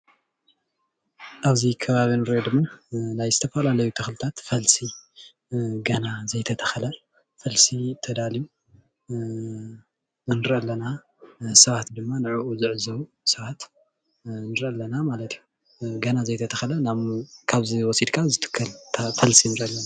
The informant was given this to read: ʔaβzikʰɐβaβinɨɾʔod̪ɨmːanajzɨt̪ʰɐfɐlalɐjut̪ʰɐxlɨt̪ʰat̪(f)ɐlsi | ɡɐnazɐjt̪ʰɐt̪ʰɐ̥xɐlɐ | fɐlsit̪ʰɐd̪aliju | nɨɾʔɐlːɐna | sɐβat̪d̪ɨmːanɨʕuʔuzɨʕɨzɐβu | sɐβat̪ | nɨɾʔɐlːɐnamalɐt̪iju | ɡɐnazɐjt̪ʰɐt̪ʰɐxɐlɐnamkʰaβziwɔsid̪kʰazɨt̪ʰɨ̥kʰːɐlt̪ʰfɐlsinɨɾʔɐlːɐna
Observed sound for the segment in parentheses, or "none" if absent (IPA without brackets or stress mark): f